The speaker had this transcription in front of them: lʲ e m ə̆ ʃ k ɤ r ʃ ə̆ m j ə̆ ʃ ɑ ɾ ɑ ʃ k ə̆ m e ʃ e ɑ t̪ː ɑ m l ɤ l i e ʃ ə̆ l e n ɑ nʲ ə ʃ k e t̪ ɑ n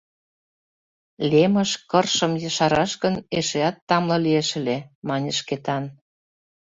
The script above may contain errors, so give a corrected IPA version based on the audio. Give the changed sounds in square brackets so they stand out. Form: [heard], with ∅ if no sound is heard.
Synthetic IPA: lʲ e m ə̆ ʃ k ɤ r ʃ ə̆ m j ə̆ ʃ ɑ ɾ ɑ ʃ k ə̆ [n] e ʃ e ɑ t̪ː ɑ m l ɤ l i e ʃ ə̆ l e [m] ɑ nʲ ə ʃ k e t̪ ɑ n